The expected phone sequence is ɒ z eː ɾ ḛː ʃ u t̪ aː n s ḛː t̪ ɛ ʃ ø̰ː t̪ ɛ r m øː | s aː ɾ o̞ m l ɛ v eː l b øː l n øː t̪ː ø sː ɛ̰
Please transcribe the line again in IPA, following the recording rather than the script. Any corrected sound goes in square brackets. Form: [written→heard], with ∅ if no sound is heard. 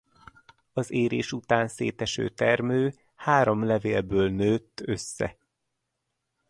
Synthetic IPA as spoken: ɒ z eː ɾ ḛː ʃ u t̪ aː n s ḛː t̪ ɛ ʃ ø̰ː t̪ ɛ r m øː | [s→h] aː ɾ o̞ m l ɛ v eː l b øː l n øː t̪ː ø sː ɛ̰